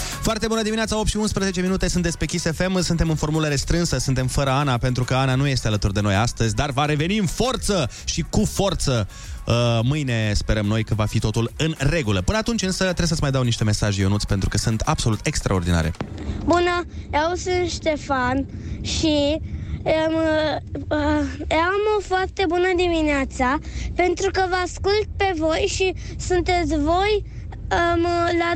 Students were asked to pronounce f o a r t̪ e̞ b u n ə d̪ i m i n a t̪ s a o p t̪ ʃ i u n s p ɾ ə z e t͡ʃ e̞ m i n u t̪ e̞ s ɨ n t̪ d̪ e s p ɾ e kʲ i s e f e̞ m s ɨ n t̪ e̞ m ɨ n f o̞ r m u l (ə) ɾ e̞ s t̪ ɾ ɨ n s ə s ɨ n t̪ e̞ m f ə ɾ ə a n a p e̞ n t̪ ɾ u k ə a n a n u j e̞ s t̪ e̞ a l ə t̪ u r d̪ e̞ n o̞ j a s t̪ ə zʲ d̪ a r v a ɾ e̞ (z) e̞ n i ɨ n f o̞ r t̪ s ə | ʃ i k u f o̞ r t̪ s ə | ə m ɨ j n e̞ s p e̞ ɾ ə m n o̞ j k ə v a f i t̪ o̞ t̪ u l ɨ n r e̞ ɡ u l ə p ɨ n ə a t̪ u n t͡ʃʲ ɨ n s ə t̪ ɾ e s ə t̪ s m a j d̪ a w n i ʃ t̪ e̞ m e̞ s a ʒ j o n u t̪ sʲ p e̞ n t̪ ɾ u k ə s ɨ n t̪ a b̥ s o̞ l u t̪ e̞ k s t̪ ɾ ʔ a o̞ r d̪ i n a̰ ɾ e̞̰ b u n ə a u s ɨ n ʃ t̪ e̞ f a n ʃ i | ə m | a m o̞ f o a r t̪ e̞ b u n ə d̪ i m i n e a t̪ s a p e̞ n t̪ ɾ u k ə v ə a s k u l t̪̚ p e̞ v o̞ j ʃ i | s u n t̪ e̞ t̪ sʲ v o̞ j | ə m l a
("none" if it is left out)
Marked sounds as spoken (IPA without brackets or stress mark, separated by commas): ə, v